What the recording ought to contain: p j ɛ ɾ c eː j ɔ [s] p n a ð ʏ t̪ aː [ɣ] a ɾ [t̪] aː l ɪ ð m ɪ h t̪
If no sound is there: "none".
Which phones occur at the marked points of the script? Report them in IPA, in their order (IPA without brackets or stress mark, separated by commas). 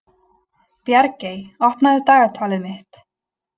h, ɣ, t̪ʰ